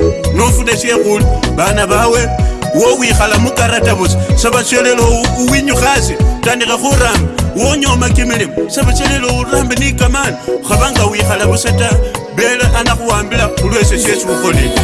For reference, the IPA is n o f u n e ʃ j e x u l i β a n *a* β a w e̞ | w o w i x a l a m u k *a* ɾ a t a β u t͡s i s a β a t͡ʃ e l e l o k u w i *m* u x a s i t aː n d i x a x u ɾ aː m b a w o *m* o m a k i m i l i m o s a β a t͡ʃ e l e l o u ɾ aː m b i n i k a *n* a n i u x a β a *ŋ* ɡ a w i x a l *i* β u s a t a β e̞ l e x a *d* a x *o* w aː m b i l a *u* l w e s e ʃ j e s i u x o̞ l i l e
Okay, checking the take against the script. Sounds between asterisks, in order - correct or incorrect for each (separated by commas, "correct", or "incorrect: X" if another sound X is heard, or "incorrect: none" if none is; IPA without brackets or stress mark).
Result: correct, correct, incorrect: ɲ, incorrect: ɲ, incorrect: m, correct, incorrect: a, incorrect: n, incorrect: u, correct